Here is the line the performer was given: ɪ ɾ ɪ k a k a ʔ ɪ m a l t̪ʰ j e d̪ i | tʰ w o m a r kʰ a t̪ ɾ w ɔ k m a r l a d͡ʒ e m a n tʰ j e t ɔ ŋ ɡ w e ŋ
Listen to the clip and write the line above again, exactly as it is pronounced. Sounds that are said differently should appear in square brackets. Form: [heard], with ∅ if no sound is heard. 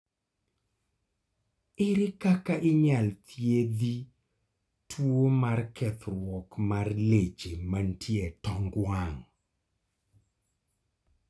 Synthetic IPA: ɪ ɾ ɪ k a k a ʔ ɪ [ɲ] a l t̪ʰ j e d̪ i | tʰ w o m a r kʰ [ɛ] t̪ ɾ w ɔ k m a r l [e] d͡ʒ e m a n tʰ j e t ɔ ŋ ɡ w [a] ŋ